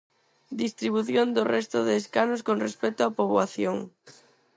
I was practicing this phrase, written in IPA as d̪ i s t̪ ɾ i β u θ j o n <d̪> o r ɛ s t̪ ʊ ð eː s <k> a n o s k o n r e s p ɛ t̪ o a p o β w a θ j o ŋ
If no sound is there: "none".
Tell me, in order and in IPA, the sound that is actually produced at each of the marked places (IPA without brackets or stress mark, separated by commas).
d̪, k